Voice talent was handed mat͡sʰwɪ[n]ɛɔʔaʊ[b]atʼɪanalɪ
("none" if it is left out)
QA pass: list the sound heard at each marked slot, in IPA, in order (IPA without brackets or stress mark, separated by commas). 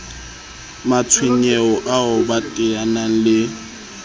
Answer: ɲ, b